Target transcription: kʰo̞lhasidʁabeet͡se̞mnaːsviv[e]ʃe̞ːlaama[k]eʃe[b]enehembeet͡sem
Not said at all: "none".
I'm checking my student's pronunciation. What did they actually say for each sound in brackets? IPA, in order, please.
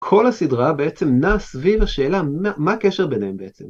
a, k, b

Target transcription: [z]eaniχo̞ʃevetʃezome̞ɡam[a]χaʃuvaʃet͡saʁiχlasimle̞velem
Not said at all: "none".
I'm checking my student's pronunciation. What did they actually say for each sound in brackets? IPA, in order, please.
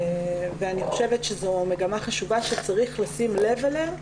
v, a

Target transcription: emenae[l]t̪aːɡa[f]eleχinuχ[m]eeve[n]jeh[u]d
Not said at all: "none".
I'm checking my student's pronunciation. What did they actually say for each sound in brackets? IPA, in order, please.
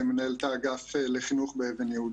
l, f, b, n, u

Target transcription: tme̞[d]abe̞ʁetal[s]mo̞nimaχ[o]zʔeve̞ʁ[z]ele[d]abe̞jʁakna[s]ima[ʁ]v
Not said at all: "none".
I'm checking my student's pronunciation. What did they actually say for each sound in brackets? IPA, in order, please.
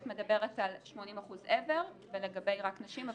d, ʃ, u, v, ɡ, ʃ, none

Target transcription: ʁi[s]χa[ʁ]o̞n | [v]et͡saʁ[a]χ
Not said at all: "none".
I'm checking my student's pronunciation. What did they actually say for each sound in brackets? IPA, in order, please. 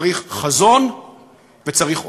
χ, z, v, i

